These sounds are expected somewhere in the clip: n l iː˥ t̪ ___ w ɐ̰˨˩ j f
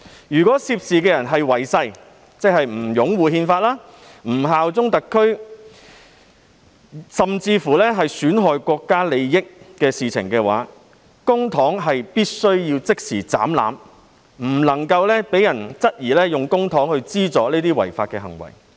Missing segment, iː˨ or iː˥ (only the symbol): iː˥